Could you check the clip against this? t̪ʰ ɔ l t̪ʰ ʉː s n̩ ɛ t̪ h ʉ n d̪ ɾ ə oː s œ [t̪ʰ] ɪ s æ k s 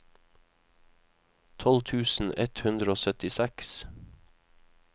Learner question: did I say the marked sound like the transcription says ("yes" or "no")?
no